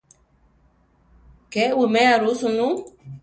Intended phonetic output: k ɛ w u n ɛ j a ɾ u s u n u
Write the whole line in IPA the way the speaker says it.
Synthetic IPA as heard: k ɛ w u m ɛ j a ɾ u s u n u